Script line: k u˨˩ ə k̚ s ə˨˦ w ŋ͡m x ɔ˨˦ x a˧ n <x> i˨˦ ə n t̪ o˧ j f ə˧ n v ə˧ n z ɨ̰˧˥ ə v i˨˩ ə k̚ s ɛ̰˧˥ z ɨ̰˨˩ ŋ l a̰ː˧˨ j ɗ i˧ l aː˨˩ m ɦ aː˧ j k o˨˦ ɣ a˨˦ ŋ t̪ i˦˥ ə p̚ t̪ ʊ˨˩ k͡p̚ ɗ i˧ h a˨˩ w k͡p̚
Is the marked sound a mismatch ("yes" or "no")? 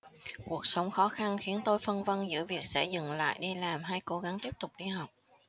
no